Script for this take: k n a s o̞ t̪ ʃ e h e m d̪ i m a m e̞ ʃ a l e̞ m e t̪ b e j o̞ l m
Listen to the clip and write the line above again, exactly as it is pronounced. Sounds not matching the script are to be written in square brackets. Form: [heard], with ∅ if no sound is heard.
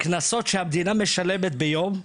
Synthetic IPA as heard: k n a s o̞ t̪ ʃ e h [a] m d̪ i [n] a m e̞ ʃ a l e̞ m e t̪ b e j o̞ [∅] m